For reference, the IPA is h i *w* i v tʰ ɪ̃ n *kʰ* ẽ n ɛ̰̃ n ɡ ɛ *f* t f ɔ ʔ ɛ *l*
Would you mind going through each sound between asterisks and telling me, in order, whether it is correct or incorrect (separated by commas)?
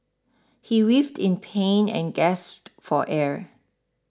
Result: correct, incorrect, incorrect, incorrect